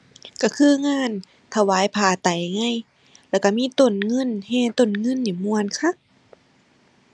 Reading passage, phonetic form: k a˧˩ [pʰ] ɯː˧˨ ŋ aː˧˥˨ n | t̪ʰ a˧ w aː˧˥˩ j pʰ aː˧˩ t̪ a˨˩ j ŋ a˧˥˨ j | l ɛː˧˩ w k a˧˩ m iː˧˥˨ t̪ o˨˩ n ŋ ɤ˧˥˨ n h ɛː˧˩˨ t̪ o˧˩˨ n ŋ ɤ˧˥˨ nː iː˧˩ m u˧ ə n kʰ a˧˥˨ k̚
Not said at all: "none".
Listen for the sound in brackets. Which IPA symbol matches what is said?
kʰ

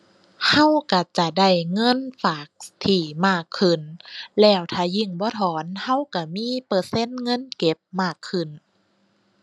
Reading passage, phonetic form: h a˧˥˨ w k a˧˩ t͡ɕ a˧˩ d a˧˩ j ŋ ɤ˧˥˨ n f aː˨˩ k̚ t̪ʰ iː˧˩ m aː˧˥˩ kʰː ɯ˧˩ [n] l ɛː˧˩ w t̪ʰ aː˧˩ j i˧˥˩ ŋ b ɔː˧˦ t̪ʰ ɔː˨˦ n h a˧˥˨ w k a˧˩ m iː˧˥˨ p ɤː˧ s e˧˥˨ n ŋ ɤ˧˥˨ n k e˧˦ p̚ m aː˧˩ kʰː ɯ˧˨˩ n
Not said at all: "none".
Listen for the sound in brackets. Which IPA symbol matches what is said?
n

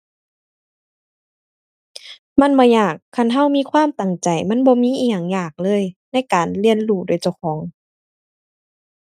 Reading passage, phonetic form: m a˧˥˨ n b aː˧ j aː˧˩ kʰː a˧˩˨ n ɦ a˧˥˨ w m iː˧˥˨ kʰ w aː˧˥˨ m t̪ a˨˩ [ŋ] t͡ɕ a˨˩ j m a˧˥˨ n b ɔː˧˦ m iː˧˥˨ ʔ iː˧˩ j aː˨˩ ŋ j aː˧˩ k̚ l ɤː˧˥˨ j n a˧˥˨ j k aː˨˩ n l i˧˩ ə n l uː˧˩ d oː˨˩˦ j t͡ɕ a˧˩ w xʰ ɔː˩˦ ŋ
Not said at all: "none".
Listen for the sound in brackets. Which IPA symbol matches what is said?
ŋ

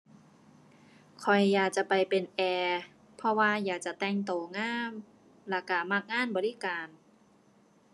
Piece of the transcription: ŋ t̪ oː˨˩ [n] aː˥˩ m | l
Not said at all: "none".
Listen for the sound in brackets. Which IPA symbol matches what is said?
ŋ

